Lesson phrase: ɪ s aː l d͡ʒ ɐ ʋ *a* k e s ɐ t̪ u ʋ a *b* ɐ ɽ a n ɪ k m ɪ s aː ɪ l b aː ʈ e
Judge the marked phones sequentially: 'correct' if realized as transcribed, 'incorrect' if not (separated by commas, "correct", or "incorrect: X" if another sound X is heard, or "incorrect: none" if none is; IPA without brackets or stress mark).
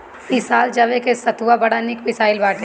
incorrect: e, correct